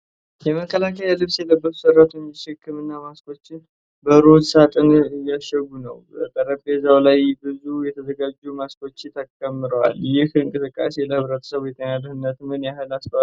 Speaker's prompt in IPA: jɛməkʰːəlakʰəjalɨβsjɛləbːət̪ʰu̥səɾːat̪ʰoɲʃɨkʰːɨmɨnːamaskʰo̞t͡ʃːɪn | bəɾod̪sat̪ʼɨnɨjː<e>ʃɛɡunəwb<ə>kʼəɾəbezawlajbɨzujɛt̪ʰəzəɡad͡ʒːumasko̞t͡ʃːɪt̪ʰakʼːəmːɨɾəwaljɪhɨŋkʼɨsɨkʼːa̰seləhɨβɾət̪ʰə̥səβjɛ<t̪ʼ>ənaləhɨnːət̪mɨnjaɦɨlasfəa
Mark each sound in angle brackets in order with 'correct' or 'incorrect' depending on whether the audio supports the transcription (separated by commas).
incorrect, correct, correct